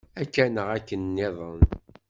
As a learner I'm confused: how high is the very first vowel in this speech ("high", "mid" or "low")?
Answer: low